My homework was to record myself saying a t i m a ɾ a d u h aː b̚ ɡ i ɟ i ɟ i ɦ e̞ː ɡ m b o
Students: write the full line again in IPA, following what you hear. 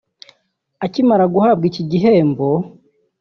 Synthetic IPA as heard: a c i m a ɾ a ɡ u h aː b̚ ɡ i c i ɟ i ɦ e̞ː m b o